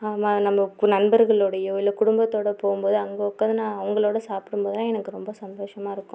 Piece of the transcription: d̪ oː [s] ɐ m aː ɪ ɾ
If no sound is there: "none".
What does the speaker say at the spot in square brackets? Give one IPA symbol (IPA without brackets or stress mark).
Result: ʂ